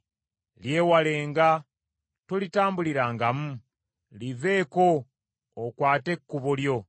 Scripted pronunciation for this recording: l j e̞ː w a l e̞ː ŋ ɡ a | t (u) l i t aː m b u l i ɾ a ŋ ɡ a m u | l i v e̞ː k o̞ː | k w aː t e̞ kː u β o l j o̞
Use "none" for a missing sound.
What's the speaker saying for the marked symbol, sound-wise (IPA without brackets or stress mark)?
o